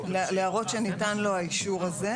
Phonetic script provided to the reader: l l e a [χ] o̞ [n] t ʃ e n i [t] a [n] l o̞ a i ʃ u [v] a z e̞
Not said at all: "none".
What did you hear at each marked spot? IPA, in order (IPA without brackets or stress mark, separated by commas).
ʁ, none, t, n, ʁ